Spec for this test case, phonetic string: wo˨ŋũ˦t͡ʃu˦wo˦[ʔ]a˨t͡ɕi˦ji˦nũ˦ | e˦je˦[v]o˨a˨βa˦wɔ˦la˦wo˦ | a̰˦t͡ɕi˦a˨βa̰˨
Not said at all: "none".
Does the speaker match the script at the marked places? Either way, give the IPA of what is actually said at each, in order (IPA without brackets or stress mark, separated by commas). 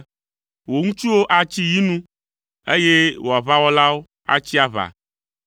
ʔ, w